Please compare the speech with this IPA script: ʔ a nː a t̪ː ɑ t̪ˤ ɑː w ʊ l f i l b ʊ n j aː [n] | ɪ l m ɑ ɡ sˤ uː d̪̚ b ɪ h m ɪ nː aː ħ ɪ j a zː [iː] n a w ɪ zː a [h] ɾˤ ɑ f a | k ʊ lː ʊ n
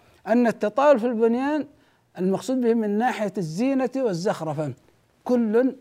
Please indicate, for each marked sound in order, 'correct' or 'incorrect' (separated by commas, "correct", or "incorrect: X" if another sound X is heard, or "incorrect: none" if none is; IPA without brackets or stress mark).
correct, correct, incorrect: x